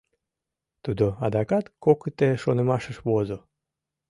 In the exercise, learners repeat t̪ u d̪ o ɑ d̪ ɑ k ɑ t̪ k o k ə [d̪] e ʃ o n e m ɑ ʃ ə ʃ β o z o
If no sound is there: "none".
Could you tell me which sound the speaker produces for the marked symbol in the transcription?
t̪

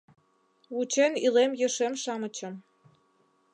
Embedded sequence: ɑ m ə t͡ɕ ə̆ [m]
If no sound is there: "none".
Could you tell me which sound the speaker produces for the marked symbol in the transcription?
m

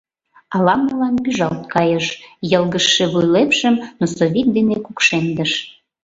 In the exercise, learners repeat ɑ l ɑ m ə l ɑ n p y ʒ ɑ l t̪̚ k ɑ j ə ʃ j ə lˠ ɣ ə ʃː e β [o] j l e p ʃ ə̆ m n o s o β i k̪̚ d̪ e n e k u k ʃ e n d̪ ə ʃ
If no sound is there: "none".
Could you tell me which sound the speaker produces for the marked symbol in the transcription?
u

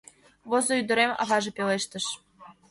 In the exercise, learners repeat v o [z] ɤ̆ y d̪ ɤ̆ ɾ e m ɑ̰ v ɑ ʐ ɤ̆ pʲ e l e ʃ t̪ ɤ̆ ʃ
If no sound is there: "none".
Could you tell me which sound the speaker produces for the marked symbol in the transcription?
z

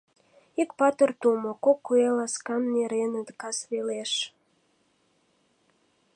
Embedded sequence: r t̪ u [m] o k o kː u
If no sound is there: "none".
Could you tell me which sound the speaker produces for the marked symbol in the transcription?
m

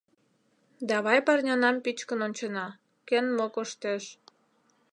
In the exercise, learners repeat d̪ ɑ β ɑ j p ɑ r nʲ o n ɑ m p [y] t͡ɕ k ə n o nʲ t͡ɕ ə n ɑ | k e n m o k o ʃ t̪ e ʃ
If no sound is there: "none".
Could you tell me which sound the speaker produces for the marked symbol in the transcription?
i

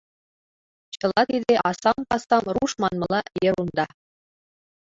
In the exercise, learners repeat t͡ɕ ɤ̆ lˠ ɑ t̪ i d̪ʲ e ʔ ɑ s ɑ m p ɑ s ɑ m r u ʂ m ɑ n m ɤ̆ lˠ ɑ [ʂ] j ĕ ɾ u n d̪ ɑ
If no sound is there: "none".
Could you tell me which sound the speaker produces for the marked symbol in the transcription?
none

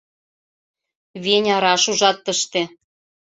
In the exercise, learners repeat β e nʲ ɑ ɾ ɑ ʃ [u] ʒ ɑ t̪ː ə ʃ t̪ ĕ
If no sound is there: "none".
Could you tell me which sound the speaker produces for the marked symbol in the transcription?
u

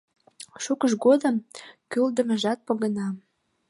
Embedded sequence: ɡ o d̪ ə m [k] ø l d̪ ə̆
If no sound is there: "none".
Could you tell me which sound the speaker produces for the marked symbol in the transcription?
k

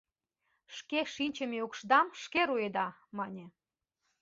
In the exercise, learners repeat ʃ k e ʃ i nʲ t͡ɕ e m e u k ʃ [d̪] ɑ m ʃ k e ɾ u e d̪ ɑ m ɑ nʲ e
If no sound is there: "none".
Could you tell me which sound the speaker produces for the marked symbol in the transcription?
d̪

